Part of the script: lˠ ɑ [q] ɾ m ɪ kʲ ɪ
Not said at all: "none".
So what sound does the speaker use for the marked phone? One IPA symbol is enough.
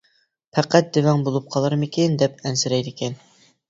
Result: none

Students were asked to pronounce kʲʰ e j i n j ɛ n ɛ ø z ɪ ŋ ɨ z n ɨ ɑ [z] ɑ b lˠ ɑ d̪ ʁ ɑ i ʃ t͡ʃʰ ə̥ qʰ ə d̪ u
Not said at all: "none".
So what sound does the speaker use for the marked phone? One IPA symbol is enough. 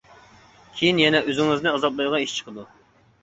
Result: z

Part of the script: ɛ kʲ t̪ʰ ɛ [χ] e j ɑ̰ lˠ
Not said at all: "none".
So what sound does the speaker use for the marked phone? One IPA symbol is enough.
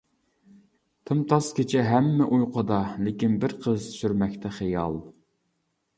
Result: χ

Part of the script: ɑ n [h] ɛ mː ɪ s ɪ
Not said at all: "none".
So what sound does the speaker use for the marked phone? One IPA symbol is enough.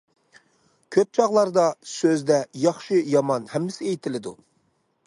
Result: h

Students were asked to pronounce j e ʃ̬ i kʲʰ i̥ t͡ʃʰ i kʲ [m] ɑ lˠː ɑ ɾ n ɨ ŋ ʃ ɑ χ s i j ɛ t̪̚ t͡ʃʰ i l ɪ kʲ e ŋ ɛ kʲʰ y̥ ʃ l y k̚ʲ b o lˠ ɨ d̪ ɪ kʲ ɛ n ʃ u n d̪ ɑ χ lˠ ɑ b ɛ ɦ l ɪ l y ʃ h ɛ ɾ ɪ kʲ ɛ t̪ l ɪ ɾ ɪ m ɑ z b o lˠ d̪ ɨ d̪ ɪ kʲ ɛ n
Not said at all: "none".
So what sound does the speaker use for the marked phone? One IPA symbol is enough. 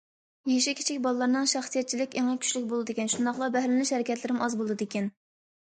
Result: b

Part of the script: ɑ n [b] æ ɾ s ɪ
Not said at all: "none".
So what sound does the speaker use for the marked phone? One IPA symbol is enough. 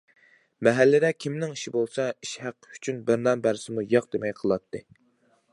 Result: b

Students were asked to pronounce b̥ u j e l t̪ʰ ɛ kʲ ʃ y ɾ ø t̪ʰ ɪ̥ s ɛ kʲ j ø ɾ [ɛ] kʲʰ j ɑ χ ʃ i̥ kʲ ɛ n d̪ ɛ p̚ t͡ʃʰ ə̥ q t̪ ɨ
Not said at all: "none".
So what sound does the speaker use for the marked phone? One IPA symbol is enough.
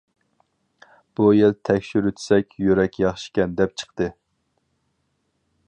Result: ɛ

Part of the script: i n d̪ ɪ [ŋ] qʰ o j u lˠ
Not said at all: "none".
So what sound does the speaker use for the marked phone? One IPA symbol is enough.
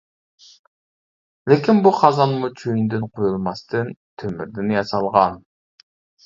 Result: n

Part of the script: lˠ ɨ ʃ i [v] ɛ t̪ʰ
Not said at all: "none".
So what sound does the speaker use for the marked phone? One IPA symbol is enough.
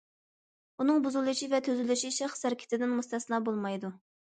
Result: v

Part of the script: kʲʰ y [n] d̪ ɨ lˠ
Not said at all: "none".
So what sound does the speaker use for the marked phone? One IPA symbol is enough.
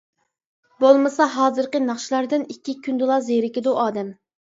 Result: n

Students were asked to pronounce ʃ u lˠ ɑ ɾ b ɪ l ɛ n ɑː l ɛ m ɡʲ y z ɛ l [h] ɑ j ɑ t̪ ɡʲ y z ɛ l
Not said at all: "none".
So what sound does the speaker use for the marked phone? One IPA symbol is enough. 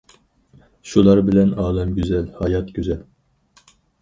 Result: h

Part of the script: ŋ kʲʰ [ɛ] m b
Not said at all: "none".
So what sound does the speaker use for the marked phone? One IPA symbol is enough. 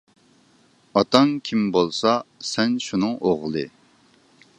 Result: i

